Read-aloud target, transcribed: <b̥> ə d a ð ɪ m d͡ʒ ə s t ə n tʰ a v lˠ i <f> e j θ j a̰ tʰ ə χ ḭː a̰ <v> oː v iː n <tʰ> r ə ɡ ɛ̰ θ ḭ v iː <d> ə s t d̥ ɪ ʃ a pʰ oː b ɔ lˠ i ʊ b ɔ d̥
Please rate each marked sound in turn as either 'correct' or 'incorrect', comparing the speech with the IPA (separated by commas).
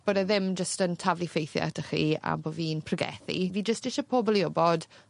correct, correct, incorrect, incorrect, incorrect